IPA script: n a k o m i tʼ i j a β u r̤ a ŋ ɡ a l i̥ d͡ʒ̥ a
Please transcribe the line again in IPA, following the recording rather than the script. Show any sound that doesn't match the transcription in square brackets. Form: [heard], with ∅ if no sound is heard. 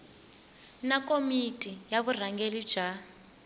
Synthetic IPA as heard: n a k o m i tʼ i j a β u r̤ a ŋ ɡ [e] l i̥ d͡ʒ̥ a